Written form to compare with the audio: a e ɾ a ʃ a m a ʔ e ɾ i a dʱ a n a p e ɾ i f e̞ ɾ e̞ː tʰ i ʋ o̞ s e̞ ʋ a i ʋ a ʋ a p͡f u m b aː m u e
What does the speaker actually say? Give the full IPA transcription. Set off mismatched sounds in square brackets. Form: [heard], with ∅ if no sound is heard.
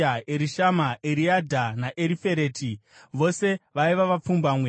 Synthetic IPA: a e ɾ [i] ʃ a m a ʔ e ɾ i a dʱ a n a [ʔ] e ɾ i f e̞ ɾ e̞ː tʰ i ʋ o̞ s e̞ ʋ a i ʋ a ʋ a p͡f u m b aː m [w] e